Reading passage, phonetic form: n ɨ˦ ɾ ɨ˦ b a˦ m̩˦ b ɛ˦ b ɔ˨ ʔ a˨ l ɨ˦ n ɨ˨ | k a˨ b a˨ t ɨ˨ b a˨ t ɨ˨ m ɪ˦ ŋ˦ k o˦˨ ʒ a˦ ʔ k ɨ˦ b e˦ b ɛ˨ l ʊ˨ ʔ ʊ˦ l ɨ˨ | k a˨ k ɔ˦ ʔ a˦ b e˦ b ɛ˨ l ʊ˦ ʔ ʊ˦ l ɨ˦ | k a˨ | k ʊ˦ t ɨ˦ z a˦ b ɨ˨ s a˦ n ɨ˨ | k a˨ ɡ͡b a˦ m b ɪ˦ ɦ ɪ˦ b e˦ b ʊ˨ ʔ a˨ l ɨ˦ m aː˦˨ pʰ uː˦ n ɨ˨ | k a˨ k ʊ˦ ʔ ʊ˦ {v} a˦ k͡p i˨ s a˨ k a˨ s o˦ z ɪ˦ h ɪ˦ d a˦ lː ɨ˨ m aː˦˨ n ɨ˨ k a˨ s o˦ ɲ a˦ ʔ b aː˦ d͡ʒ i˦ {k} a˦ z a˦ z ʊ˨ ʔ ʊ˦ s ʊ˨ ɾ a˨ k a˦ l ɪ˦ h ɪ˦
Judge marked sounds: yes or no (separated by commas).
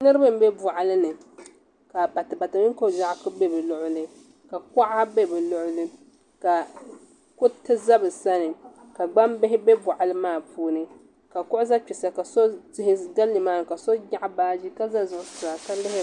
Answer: no, yes